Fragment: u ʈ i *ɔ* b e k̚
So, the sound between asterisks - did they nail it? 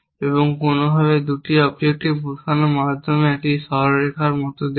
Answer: yes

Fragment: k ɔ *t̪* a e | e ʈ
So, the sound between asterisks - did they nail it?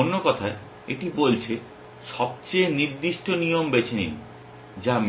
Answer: no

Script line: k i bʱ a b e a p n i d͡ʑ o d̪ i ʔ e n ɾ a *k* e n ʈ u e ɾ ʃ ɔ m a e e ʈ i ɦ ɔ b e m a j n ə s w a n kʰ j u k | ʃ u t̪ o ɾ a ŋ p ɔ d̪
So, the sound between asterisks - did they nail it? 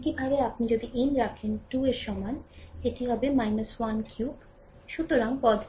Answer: no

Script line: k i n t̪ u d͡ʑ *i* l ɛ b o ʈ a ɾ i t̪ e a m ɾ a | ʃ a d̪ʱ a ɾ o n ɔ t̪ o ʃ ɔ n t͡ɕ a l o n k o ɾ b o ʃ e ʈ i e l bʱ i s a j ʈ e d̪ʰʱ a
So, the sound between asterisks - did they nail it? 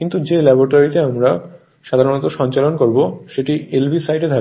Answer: no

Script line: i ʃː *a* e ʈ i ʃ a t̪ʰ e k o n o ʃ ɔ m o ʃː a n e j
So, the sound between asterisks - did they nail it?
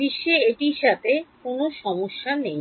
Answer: no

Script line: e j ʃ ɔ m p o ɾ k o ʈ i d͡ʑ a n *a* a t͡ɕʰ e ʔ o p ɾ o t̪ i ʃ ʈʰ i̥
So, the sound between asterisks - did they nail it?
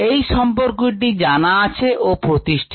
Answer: yes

